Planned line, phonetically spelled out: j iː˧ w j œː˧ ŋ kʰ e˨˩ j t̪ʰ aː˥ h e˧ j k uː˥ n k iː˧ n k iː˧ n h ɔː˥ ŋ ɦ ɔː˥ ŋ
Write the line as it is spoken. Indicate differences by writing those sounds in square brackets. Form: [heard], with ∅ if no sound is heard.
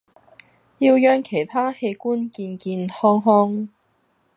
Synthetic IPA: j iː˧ w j œː˧ ŋ kʰ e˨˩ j t̪ʰ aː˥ h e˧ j k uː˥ n k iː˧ n k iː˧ n h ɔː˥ ŋ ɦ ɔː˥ ŋ

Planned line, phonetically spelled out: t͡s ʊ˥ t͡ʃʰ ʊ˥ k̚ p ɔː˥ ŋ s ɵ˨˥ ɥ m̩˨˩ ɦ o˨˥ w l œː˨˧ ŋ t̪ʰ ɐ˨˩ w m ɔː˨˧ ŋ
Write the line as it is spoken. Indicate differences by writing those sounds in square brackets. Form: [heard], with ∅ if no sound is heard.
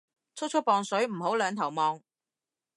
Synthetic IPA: [t͡sʰ] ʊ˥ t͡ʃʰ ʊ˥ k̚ p [ɔː˨˧] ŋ s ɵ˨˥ ɥ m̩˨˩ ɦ o˨˥ w l œː˨˧ ŋ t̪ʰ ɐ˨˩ w m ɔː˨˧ ŋ

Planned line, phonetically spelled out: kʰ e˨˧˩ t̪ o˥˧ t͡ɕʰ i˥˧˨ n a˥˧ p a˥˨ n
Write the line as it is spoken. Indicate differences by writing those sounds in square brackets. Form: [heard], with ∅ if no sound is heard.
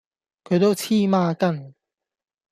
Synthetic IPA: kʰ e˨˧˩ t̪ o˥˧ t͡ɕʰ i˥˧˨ [m] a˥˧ [k] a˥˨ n

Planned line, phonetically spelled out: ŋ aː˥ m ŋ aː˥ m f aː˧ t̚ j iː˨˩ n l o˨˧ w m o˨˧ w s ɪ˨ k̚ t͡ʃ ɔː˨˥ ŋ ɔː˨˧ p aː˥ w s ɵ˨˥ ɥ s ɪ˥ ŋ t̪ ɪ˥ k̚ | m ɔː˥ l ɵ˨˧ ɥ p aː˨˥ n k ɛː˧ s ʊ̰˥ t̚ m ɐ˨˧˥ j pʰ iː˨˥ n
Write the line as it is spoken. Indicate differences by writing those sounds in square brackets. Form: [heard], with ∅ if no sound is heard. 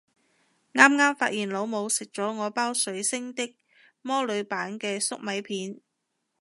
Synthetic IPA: ŋ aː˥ m ŋ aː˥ m f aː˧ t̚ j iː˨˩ n l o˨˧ w m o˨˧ w s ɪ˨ k̚ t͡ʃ ɔː˨˥ ŋ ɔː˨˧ p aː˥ w s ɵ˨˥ ɥ s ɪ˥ ŋ t̪ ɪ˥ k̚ | m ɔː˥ l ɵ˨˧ ɥ p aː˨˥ n k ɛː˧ s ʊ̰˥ [k̚] m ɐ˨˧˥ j pʰ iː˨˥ n

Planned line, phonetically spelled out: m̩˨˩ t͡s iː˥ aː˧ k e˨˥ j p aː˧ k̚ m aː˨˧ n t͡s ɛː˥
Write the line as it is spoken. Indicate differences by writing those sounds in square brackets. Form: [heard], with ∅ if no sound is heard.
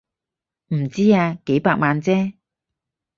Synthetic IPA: m̩˨˩ t͡s iː˥ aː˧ k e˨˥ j p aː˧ k̚ m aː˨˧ n t͡s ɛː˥

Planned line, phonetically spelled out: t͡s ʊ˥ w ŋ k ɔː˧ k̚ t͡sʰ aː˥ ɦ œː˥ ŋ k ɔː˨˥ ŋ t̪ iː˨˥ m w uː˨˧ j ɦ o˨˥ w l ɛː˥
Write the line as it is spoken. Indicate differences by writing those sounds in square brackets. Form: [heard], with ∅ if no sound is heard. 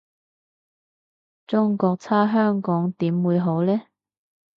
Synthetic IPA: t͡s ʊ˥ [∅] ŋ k ɔː˧ k̚ t͡sʰ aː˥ ɦ œː˥ ŋ k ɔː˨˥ ŋ t̪ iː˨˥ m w uː˨˧ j ɦ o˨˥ w l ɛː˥

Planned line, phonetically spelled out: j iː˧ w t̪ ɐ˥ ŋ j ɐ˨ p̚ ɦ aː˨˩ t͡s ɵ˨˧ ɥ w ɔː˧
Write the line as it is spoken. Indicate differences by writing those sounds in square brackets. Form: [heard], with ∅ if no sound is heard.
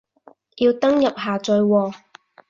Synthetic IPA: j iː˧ w t̪ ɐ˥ ŋ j ɐ˨ p̚ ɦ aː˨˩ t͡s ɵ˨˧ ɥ w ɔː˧

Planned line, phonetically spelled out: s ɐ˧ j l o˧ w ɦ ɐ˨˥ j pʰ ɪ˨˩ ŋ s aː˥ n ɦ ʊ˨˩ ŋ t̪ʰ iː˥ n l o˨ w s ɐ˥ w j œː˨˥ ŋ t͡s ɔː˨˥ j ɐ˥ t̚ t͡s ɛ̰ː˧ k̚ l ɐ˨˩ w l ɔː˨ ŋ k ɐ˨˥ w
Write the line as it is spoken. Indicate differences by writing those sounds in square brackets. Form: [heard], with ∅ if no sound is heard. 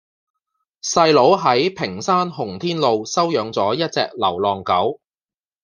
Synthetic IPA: s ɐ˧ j l [o˨˥] w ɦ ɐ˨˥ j pʰ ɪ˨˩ ŋ s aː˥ n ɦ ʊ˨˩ ŋ t̪ʰ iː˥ n l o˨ w s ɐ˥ w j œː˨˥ ŋ t͡s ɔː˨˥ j ɐ˥ t̚ t͡s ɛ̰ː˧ k̚ l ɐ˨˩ w l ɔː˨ ŋ k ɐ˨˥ w

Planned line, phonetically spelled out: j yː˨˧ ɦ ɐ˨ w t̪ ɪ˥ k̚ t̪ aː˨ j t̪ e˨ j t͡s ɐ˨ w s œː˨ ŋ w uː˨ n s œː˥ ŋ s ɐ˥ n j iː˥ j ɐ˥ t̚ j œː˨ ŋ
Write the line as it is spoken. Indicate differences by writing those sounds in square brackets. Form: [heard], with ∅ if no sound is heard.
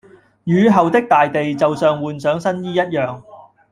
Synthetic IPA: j yː˨˧ ɦ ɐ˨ w t̪ ɪ˥ k̚ t̪ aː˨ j t̪ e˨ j t͡s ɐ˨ w s œː˨ ŋ w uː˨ n s [œː˨˥] ŋ s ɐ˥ n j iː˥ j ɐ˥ t̚ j œː˨ ŋ

